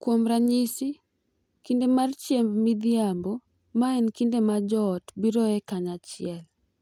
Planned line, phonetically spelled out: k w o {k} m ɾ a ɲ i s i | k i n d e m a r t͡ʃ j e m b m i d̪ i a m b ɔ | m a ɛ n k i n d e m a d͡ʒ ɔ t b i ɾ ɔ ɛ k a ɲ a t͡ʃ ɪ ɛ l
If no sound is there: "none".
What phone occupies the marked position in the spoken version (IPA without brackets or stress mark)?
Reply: none